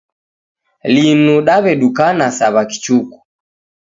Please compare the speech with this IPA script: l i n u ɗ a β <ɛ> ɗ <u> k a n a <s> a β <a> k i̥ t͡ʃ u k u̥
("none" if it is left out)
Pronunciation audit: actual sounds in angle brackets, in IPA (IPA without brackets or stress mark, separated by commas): ɛ, u, s, a